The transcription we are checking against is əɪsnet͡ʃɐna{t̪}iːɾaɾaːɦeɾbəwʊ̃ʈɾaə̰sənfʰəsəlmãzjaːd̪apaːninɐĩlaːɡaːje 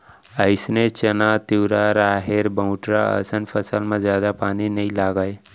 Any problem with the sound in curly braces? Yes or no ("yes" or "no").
no